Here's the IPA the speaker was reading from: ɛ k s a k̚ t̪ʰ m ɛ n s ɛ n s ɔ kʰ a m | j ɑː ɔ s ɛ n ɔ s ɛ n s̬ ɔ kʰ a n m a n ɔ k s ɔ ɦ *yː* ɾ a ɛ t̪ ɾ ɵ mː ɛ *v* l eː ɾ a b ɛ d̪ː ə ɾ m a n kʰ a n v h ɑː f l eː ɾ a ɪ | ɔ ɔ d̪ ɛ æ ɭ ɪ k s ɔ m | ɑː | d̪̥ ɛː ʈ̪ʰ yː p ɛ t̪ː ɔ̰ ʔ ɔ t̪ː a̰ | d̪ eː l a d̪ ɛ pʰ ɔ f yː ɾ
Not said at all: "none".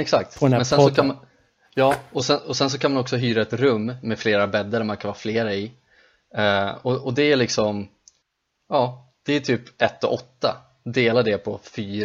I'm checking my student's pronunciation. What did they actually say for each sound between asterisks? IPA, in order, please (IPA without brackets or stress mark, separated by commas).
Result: yː, f